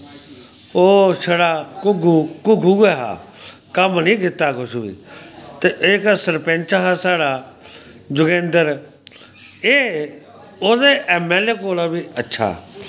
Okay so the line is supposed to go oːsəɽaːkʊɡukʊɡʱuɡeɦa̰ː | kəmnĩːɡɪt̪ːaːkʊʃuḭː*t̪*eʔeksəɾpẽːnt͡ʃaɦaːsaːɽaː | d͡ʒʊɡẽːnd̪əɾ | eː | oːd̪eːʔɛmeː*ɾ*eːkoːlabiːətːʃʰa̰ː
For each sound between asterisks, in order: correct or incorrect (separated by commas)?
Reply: correct, incorrect